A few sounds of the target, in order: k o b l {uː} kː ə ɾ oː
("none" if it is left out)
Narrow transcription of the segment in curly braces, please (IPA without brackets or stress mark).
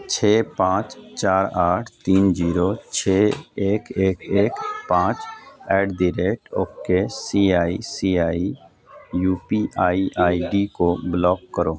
ɔː